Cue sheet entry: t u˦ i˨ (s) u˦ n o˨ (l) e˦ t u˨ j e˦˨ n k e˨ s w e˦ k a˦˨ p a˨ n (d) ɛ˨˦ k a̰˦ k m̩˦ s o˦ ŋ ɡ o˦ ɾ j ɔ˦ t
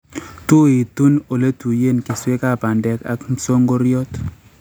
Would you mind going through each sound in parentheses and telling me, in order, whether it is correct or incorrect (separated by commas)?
incorrect, correct, correct